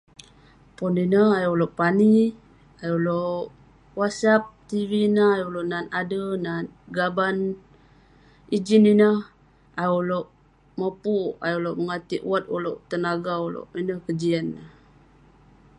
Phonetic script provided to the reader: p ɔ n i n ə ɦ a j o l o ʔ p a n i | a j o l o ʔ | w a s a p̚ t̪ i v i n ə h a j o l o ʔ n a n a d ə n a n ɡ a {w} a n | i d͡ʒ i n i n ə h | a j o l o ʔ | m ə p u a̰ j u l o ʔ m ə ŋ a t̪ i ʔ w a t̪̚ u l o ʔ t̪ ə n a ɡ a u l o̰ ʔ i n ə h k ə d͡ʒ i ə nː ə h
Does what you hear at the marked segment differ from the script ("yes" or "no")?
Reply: yes